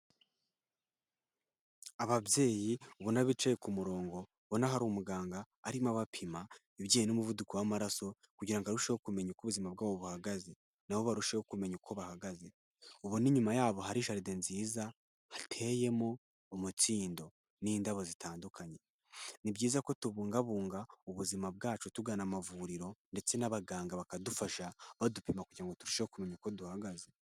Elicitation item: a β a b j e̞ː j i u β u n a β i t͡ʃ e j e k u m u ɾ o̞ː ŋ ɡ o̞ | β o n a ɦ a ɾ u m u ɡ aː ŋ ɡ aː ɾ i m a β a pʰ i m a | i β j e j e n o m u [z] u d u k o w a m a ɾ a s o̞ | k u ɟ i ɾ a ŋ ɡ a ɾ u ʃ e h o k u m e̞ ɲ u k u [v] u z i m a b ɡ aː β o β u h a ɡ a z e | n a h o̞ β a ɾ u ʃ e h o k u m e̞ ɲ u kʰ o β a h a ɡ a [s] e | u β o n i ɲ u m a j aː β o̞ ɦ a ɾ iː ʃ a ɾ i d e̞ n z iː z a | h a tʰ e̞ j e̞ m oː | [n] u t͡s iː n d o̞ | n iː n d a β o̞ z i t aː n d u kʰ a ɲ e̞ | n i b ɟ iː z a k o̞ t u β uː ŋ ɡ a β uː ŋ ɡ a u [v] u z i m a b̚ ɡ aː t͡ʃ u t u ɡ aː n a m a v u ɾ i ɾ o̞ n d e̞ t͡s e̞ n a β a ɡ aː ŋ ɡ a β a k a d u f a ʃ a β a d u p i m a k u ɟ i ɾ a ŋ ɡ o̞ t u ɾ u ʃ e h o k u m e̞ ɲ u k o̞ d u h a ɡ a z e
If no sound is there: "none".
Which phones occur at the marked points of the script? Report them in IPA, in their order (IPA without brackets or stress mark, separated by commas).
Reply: v, β, z, m, β